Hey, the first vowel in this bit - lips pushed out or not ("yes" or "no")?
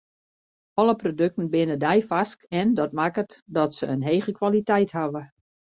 yes